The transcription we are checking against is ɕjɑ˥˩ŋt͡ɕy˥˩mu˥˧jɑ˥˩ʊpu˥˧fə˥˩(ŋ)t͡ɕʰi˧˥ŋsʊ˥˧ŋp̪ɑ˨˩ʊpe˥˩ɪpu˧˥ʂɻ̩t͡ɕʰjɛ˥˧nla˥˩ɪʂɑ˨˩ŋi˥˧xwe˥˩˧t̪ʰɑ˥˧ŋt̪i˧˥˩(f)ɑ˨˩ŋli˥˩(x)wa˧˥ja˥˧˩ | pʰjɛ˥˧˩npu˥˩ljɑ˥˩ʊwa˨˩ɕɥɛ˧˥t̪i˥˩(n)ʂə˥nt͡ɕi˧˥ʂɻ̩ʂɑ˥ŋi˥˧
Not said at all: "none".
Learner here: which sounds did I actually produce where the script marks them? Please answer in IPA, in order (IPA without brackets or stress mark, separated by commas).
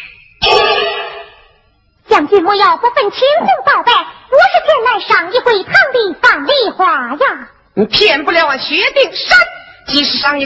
n, f, x, ŋ